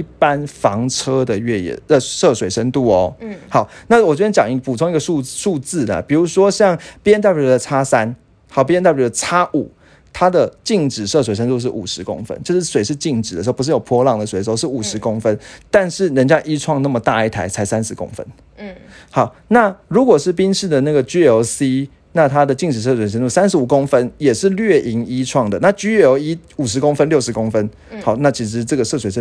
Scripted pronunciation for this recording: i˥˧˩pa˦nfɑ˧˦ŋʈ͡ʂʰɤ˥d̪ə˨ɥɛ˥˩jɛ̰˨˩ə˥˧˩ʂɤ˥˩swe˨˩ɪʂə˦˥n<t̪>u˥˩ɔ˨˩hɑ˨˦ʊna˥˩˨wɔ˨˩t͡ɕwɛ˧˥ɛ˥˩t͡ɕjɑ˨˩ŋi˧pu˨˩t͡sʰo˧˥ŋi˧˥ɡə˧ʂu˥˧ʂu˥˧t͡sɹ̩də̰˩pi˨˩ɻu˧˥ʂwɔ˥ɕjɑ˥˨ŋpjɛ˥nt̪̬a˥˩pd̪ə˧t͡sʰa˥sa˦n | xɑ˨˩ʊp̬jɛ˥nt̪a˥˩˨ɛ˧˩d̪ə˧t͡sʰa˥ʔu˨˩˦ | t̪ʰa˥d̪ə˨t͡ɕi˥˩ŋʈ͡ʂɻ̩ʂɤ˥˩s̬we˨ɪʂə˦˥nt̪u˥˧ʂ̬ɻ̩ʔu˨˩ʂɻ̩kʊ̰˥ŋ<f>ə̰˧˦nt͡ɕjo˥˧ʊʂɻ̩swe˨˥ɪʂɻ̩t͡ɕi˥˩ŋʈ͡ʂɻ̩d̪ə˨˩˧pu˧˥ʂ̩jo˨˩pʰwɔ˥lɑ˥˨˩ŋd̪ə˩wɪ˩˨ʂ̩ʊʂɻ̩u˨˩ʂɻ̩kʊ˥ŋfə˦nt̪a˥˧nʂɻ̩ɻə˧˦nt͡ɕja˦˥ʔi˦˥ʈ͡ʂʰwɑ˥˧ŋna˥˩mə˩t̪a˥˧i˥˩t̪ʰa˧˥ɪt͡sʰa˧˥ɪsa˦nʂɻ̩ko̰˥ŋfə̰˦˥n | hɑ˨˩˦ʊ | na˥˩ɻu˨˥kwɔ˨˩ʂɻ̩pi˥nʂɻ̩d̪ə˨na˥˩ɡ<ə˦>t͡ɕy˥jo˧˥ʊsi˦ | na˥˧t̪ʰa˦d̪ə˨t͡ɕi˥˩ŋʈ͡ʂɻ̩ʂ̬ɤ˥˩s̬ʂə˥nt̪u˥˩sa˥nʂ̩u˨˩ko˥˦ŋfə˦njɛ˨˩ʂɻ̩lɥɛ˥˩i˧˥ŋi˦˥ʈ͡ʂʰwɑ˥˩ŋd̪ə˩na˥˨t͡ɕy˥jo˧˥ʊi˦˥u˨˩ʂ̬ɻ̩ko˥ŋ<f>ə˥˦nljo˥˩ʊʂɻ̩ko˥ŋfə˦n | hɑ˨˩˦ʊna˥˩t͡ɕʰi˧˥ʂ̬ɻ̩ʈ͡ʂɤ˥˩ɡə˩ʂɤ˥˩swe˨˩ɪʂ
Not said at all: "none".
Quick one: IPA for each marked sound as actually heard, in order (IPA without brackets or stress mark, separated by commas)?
t̪, f, ə˩, f